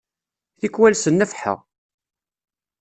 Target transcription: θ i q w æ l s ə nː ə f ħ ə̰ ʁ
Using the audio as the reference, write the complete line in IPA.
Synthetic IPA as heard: θ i k w æ l s ə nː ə f ħ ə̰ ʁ